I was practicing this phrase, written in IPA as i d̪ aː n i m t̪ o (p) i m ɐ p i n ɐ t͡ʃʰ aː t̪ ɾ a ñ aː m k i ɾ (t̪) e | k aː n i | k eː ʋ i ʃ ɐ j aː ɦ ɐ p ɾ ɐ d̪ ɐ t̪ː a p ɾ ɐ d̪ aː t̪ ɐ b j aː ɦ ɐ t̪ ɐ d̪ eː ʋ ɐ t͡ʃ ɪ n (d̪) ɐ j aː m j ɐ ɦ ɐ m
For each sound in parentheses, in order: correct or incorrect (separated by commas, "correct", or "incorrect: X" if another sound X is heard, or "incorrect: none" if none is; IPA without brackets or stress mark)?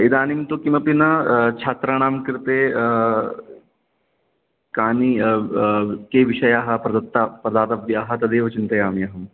incorrect: k, correct, incorrect: t̪